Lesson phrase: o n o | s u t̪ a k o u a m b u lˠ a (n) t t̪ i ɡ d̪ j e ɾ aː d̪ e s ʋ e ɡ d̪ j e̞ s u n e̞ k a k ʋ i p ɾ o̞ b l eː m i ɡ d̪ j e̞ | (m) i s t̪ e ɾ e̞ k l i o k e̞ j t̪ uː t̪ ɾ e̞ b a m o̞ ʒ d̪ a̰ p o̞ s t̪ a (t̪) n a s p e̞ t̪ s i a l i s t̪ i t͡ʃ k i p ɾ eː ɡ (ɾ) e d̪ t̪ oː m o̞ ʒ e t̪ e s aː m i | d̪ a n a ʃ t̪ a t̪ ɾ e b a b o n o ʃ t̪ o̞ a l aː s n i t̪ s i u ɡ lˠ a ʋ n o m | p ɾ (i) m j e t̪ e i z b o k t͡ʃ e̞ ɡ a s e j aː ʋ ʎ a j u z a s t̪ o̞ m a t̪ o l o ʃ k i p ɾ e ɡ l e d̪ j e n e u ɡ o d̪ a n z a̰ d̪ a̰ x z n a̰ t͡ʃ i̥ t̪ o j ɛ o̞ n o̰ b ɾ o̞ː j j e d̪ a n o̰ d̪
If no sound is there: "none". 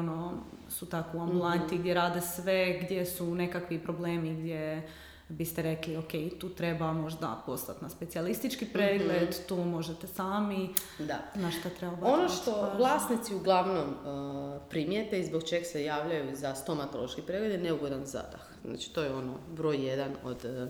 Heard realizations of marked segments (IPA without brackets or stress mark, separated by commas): n, b, t̪, l, i